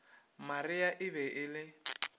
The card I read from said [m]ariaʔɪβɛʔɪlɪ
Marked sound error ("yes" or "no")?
no